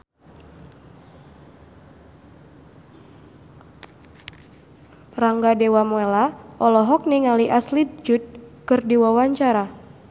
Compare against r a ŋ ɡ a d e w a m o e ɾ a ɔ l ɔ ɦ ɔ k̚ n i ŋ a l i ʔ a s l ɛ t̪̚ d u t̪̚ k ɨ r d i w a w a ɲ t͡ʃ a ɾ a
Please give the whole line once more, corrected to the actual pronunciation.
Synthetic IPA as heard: r a ŋ ɡ a d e w a m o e l a ɔ l ɔ ɦ ɔ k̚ n i ŋ a l i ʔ a s l i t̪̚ d͡ʒ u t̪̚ k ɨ r d i w a w a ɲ t͡ʃ a ɾ a